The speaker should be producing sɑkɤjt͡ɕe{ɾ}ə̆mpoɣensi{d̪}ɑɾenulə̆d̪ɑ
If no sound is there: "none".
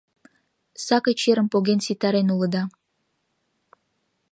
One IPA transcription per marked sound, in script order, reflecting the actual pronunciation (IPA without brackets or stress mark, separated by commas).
ɾ, t̪